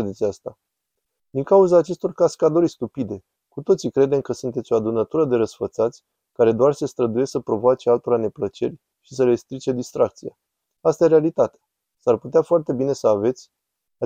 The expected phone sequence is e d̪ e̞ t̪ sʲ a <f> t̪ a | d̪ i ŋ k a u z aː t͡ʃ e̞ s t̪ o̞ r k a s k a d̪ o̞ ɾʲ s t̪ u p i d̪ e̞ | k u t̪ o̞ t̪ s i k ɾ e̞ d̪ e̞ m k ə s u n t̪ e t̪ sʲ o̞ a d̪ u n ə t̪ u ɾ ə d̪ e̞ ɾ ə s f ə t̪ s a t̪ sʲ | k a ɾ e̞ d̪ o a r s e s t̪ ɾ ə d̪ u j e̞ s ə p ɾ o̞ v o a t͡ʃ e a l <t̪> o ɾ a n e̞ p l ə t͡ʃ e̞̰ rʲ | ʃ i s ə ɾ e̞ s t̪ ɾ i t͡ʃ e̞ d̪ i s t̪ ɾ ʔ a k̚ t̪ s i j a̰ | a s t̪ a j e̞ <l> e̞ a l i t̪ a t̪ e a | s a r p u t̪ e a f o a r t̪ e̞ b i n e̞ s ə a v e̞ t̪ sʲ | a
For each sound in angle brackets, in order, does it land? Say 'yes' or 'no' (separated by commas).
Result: no, yes, no